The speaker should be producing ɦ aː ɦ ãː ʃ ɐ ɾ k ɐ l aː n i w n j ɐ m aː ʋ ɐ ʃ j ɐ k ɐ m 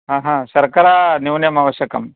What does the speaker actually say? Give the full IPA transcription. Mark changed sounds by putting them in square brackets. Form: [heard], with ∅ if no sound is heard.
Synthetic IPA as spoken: ɦ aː ɦ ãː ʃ ɐ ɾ k ɐ [ɾ] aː n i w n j ɐ m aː ʋ ɐ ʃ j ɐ k ɐ m